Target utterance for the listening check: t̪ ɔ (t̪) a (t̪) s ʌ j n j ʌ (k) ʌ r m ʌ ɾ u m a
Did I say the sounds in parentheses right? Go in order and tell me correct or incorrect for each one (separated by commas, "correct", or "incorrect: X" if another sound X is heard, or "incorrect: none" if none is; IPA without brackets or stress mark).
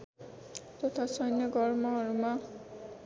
incorrect: t̪ʰ, incorrect: none, incorrect: ɡ